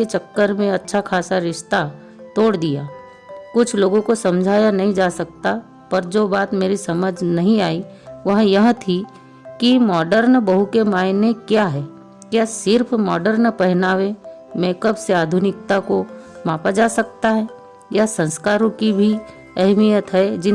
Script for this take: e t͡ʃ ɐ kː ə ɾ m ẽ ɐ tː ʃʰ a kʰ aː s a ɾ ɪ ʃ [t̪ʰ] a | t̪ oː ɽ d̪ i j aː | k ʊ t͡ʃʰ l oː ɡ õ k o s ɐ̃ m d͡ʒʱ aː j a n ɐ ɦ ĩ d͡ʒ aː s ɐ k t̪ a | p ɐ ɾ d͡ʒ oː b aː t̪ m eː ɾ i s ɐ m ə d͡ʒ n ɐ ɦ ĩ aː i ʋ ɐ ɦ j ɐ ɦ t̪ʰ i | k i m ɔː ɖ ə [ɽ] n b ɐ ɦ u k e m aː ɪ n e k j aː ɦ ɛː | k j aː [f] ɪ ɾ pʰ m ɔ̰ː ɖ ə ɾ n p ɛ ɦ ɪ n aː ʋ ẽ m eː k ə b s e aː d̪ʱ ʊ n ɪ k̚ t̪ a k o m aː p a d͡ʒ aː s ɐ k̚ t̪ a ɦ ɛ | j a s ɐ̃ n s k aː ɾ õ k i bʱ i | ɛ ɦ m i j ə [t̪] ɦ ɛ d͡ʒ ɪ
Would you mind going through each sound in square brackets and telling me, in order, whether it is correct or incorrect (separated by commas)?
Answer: incorrect, incorrect, incorrect, correct